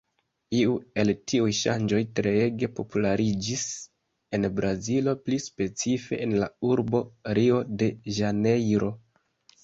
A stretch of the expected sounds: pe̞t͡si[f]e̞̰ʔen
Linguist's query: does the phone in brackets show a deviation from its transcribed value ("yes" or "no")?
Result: no